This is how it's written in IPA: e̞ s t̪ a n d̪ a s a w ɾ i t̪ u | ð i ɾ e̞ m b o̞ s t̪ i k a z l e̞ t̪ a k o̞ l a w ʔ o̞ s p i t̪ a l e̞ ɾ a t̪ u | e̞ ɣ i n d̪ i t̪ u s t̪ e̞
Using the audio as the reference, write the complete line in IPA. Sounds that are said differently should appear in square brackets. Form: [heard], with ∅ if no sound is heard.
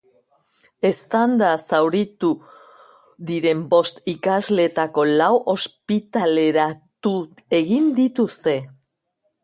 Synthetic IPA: e̞ s t̪ a n d̪ a s a w ɾ i t̪ u | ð i ɾ e̞ m b o̞ s t̪ i k a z l e̞ t̪ a k o̞ l a w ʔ o̞ s p i t̪ a l e̞ ɾ a t̪ u | e̞ ɣ i n d̪ i t̪ u s t̪ e̞

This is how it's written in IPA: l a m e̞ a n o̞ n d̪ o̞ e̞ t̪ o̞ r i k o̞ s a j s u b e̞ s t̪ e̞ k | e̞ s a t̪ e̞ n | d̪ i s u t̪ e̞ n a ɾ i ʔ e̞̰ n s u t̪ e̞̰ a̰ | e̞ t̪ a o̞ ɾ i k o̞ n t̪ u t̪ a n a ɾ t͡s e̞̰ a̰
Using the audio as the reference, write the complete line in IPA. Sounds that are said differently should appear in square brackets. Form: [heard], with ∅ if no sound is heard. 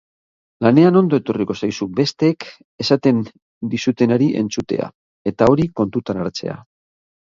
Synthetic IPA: l a [n] e̞ a n o̞ n d̪ o̞ e̞ t̪ o̞ r i k o̞ s a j s u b e̞ s t̪ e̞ k | e̞ s a t̪ e̞ n | d̪ i s u t̪ e̞ n a ɾ i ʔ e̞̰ n [t͡s] u t̪ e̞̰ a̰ | e̞ t̪ a o̞ ɾ i k o̞ n t̪ u t̪ a n a ɾ t͡s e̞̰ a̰

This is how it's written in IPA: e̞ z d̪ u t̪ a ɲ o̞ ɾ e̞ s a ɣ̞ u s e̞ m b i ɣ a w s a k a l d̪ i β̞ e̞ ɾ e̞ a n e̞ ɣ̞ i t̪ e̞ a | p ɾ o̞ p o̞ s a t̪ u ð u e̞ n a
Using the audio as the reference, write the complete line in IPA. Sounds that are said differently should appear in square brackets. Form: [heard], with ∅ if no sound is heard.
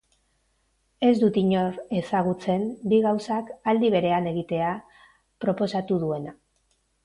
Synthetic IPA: e̞ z d̪ u t̪ [i] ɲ o̞ ɾ e̞ s a ɣ̞ u [t͡s] e̞ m b i ɣ a w s a k a l d̪ i β̞ e̞ ɾ e̞ a n e̞ ɣ̞ i t̪ e̞ a | p ɾ o̞ p o̞ s a t̪ u ð u e̞ n a

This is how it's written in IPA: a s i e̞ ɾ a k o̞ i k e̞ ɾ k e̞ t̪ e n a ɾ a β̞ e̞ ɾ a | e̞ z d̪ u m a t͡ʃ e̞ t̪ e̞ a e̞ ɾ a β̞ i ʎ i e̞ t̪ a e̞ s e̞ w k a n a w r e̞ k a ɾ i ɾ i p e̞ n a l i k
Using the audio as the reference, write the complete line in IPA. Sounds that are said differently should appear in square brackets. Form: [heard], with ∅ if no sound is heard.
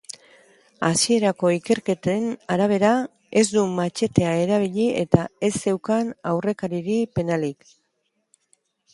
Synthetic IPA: a s i e̞ ɾ a k o̞ i k e̞ ɾ k e̞ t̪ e n a ɾ a β̞ e̞ ɾ a | e̞ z d̪ u m a t͡ʃ e̞ t̪ e̞ a e̞ ɾ a β̞ i ʎ i e̞ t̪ a e̞ s e̞ w k a n a w r e̞ k a ɾ i ɾ i p e̞ n a l i k

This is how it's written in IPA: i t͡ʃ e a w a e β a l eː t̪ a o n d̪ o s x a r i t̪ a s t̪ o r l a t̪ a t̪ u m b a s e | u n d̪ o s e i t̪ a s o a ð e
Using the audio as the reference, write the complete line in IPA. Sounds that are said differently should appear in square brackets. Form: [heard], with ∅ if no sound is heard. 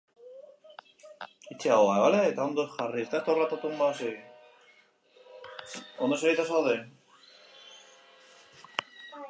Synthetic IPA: i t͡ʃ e a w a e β a l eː t̪ a o n d̪ o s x a r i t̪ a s t̪ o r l a t̪ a t̪ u m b a s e | [o] n d̪ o s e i t̪ a s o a ð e

